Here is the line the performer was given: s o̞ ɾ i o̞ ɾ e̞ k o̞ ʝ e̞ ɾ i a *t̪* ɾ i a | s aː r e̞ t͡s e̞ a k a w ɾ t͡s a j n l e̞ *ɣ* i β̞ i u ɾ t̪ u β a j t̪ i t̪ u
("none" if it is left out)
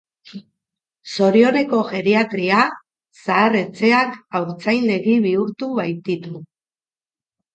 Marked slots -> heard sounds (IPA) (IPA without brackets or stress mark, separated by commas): t̪, ɣ